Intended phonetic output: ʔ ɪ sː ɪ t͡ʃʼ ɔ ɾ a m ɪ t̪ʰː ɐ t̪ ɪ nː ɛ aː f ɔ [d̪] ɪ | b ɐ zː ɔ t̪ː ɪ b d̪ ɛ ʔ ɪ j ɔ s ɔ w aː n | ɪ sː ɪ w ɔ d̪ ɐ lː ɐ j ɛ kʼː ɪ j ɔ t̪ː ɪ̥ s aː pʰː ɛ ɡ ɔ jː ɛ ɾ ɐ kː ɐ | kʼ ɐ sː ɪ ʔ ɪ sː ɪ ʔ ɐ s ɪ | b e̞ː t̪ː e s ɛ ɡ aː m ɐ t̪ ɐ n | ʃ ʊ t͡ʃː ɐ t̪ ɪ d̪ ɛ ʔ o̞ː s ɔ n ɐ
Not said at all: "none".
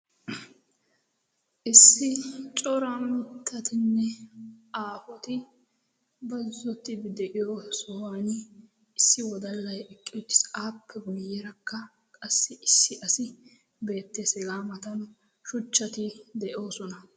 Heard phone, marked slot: t̪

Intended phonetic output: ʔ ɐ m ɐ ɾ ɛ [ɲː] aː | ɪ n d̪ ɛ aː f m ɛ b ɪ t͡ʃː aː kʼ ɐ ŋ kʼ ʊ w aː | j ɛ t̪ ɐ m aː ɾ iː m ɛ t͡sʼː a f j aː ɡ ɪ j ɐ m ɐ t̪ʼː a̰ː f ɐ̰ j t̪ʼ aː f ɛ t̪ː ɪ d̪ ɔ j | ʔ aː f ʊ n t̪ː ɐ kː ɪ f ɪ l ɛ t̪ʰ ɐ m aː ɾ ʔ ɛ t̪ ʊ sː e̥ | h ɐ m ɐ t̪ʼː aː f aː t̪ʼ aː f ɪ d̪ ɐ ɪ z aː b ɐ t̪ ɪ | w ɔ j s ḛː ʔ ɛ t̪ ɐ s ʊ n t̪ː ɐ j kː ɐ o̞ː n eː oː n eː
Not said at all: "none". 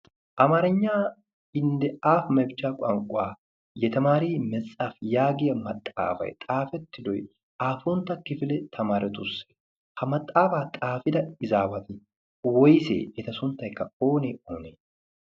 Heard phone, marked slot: ɲː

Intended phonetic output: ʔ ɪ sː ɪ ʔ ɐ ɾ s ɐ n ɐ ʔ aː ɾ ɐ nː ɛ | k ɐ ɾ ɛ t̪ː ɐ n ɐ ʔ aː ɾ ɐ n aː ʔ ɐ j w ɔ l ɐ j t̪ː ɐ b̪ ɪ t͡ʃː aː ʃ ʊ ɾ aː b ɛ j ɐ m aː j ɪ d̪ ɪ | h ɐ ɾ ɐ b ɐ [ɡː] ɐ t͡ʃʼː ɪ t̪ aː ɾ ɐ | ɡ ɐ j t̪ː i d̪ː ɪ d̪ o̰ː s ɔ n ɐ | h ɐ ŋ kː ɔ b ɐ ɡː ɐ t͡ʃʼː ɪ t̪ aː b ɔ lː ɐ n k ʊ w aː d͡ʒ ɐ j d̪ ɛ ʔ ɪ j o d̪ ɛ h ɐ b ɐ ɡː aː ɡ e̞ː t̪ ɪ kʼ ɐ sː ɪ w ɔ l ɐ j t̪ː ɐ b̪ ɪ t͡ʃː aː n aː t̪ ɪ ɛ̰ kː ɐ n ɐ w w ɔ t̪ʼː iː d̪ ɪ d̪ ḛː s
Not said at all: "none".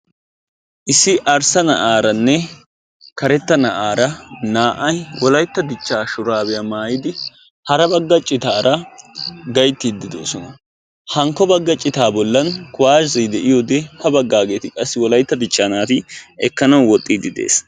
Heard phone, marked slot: ɡː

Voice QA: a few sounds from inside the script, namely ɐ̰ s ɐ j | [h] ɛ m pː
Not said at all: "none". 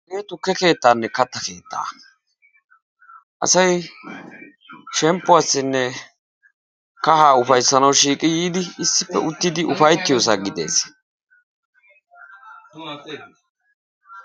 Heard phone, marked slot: ʃ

